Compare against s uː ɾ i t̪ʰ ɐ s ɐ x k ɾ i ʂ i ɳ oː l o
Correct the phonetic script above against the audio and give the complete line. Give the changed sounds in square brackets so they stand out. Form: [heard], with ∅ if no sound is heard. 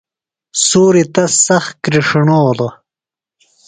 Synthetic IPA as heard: s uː ɾ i [t̪] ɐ s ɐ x k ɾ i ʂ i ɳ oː l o